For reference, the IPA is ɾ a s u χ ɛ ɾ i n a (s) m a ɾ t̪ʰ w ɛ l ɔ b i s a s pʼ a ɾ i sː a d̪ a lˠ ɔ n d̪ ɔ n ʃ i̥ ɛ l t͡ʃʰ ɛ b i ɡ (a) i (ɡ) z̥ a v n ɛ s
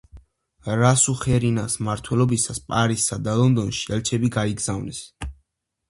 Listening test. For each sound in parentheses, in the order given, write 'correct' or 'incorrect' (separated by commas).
correct, correct, correct